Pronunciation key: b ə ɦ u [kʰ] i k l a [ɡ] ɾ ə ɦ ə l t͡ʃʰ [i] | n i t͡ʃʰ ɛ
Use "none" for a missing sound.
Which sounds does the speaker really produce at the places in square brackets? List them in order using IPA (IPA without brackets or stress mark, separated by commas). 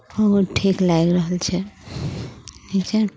ʈʰ, ɡ, ɛ